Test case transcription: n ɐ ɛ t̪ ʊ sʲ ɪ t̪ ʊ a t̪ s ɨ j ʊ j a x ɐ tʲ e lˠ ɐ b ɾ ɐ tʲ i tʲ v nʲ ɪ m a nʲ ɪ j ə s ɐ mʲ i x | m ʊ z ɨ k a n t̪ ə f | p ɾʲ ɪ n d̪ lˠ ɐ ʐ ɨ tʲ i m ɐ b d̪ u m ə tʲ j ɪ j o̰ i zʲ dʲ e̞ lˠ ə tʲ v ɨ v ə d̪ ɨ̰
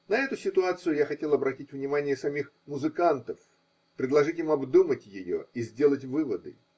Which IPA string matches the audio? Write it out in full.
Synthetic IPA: n ɐ ɛ t̪ ʊ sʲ ɪ t̪ ʊ a t̪ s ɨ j ʊ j a x ɐ tʲ e lˠ ɐ b ɾ ɐ tʲ i tʲ v nʲ ɪ m a nʲ ɪ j ə s ɐ mʲ i x | m ʊ z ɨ k a n t̪ ə f | p ɾʲ ɪ d̪ lˠ ɐ ʐ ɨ tʲ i m ɐ b d̪ u m ə tʲ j ɪ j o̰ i zʲ dʲ e̞ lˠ ə tʲ v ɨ v ə d̪ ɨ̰